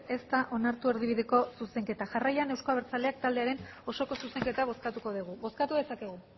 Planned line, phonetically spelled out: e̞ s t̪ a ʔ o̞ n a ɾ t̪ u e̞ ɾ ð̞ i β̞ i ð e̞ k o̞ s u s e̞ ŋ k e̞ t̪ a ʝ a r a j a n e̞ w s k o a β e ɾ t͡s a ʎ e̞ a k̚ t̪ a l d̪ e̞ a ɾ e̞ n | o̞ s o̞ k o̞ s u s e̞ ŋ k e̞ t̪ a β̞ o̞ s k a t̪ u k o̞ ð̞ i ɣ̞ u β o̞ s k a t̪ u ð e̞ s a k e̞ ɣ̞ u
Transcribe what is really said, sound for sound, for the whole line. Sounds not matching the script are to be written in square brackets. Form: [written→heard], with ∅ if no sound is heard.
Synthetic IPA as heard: e̞ s t̪ a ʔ o̞ n a ɾ t̪ u e̞ ɾ ð̞ i β̞ i ð e̞ k o̞ s u s e̞ ŋ k e̞ t̪ a ʝ a r a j a n e̞ w s k o a β e ɾ t͡s a [ʎ→l] e̞ a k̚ t̪ a l d̪ e̞ a ɾ e̞ n | o̞ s o̞ k o̞ s u s e̞ ŋ k e̞ t̪ a β̞ o̞ s k a t̪ u k o̞ ð̞ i ɣ̞ u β o̞ s k a t̪ u ð e̞ s a k e̞ ɣ̞ u